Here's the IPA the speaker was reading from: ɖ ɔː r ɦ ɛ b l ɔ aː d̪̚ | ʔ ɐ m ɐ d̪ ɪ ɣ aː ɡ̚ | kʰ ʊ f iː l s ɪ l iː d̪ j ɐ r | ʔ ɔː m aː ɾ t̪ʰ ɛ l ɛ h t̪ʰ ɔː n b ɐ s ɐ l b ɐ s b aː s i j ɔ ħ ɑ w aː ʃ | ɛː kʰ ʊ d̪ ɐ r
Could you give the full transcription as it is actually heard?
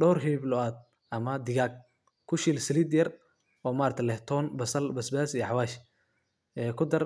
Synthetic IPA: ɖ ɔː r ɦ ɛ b l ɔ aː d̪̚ | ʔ ɐ m ɐ d̪ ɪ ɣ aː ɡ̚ | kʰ ʊ ʃ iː l s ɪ l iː d̪ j ɐ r | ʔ ɔː m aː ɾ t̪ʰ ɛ l ɛ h t̪ʰ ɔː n b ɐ s ɐ l b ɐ s b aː s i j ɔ ħ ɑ w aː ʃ | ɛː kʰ ʊ d̪ ɐ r

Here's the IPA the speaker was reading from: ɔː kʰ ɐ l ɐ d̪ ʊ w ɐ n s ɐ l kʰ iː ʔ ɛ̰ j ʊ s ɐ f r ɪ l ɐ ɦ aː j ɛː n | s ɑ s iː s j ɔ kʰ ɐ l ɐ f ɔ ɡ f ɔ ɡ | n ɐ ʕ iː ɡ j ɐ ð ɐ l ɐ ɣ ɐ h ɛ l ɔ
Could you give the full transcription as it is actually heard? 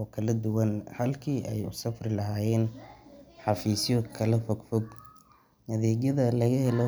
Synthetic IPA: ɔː kʰ ɐ l ɐ d̪ ʊ w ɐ n h ɐ l kʰ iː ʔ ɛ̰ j ʊ s ɐ f r ɪ l ɐ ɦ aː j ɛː n | ħ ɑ f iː s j ɔ kʰ ɐ l ɐ f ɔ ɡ f ɔ ɡ | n ɐ ð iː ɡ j ɐ ð ɐ l ɐ ɣ ɐ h ɛ l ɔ

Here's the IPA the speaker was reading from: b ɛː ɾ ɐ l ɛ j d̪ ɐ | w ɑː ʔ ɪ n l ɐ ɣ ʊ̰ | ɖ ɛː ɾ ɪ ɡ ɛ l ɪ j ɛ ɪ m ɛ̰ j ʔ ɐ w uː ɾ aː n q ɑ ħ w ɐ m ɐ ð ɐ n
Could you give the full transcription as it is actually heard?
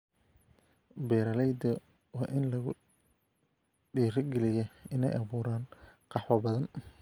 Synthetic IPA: b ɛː ɾ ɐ l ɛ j d̪ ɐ | w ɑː ʔ ɪ n l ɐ ɣ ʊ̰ | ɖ iː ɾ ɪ ɡ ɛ l ɪ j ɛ ɪ n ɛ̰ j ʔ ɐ β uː ɾ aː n q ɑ ħ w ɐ b ɐ ð ɐ n

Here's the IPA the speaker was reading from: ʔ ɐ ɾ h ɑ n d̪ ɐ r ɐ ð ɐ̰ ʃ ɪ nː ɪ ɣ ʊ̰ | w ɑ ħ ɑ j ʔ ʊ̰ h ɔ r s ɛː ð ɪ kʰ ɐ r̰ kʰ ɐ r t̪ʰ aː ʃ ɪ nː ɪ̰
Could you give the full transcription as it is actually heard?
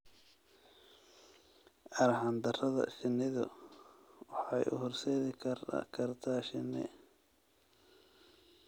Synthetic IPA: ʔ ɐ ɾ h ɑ n d̪ ɐ r ɐ ð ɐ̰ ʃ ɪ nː ɪ ð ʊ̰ | w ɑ ħ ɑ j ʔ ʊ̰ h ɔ r s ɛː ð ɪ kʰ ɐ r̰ kʰ ɐ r t̪ʰ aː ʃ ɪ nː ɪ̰

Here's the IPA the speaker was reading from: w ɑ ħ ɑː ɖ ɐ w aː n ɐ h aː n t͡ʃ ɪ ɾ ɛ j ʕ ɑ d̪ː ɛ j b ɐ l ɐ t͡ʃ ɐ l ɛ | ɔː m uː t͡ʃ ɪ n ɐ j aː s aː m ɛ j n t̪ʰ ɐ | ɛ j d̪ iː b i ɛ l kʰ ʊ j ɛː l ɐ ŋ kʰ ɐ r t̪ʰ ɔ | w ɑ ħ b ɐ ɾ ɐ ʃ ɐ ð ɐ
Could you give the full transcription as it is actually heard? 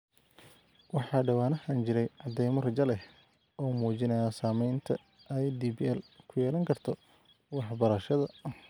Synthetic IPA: w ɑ ħ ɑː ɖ ɐ w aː n ɐ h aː n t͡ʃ ɪ ɾ ɛ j ʕ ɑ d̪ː ɛ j m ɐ r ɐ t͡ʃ ɐ l ɛ | ɔː m uː t͡ʃ ɪ n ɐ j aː s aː m ɛ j n t̪ʰ ɐ | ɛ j d̪ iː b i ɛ l kʰ ʊ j ɛː l ɐ ŋ kʰ ɐ r t̪ʰ ɔ | w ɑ ħ b ɐ ɾ ɐ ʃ ɐ ð ɐ

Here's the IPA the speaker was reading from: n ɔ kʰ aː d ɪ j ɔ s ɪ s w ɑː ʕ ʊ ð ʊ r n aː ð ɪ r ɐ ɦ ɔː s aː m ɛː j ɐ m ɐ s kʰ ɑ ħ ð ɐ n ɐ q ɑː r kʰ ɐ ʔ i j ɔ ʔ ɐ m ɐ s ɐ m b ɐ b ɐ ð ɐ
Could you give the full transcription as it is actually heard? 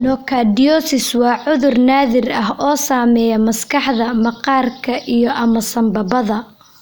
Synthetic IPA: n ɔ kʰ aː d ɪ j ɔ s ɪ s w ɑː ʕ ʊ ð ʊ r n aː ð ɪ r ɐ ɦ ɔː s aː m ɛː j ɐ m ɐ s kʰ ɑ ħ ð ɐ m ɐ q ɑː r kʰ ɐ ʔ i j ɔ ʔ ɐ m ɐ s ɐ m b ɐ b ɐ ð ɐ

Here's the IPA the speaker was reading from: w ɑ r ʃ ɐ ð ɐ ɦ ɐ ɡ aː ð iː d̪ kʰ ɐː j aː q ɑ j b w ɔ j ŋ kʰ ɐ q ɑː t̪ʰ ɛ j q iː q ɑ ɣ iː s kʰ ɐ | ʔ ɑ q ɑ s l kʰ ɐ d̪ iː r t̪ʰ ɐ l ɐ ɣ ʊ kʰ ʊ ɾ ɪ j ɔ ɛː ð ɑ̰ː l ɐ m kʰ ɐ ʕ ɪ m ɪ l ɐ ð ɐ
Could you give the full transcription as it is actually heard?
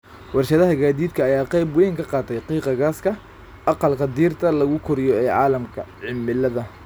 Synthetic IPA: w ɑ r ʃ ɐ ð ɐ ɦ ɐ ɡ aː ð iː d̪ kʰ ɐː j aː q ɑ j b w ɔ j ŋ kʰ ɐ q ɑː t̪ʰ ɛ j q iː q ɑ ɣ aː s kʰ ɐ | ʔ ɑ q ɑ l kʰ ɐ d̪ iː r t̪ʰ ɐ l ɐ ɣ ʊ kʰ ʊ ɾ ɪ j ɔ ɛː ʕ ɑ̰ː l ɐ m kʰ ɐ ʕ ɪ m ɪ l ɐ ð ɐ

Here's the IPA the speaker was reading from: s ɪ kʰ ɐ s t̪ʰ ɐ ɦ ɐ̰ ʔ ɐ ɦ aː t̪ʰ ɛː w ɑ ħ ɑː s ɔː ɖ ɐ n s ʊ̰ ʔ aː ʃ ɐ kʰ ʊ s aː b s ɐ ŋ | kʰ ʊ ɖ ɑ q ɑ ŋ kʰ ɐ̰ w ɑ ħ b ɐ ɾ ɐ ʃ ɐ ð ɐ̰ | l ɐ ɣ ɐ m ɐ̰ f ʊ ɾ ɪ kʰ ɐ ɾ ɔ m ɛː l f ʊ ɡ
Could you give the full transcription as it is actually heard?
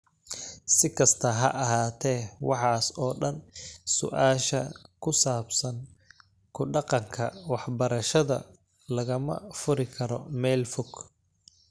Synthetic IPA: s ɪ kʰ ɐ s t̪ʰ ɐ ɦ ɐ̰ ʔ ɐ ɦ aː t̪ʰ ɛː w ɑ ħ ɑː s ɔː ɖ ɐ n s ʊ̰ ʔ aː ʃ ɐ kʰ ʊ s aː b s ɐ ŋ | kʰ ʊ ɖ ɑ q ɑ ŋ kʰ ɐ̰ w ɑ ħ b ɐ ɾ ɐ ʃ ɐ ð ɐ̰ | l ɐ ɣ ɐ m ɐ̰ f ʊ ɾ ɪ kʰ ɐ ɾ ɔ m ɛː l f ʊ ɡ

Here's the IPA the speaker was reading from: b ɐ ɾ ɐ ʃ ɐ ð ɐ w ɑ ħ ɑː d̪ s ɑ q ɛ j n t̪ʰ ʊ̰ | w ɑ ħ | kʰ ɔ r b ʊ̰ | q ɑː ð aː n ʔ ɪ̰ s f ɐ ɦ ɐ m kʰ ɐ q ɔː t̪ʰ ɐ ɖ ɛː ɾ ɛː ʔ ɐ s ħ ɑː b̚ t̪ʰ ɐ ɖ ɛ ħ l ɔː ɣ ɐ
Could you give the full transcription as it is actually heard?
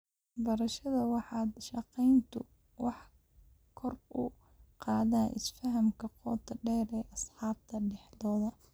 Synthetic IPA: b ɐ ɾ ɐ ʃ ɐ ð ɐ w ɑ ħ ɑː d̪ ʃ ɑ q ɛ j n t̪ʰ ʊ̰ | w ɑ ħ | kʰ ɔ r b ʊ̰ | q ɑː ð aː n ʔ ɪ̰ s f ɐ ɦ ɐ m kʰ ɐ q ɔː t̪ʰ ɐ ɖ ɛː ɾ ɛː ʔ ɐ s ħ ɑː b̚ t̪ʰ ɐ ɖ ɛ ħ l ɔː ð ɐ

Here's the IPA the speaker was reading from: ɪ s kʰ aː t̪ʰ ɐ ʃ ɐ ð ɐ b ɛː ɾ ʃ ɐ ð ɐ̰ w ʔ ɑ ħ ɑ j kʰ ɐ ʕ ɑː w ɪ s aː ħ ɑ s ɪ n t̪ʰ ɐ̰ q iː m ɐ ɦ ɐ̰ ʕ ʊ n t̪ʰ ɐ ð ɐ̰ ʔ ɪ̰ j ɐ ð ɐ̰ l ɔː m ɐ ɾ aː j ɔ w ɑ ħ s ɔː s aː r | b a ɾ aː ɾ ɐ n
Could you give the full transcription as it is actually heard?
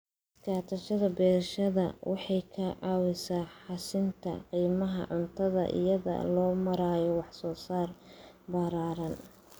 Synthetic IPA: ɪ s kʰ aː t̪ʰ ɐ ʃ ɐ ð ɐ b ɛː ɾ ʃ ɐ ð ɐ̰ w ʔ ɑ ħ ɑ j kʰ ɐ ʕ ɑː w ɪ s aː ħ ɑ s ɪ n t̪ʰ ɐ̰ q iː m ɐ ɦ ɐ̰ ʕ ʊ n t̪ʰ ɐ ð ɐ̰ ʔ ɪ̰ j ɐ ð ɐ̰ l ɔː m ɐ ɾ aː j ɔ w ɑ ħ s ɔː s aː r | b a ɾ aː ɾ ɐ n

